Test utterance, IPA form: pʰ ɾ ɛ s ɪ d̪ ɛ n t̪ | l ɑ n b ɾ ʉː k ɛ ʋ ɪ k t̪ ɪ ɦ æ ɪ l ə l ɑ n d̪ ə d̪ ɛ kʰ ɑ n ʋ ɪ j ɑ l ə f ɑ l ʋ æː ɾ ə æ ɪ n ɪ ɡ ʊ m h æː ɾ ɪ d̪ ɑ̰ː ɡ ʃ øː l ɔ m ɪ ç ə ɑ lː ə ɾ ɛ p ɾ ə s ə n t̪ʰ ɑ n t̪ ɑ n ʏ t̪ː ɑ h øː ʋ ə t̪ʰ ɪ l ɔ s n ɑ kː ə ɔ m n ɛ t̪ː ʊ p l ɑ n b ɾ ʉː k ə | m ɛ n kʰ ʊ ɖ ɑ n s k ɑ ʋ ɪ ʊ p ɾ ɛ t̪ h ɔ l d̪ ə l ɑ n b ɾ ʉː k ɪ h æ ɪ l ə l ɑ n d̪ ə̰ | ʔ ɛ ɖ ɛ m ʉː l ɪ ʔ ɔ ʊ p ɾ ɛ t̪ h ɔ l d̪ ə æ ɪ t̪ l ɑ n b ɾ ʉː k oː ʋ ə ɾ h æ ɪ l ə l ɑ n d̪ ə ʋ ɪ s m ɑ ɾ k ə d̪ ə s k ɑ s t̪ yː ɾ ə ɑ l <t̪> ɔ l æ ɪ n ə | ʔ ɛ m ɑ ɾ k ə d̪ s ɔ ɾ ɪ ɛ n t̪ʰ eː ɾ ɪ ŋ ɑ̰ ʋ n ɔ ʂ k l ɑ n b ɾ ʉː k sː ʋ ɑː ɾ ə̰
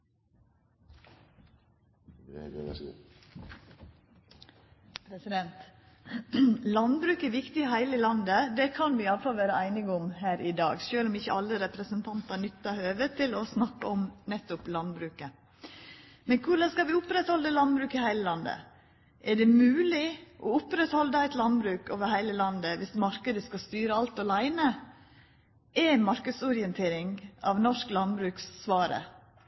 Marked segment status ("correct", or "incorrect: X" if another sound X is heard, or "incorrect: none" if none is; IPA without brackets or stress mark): correct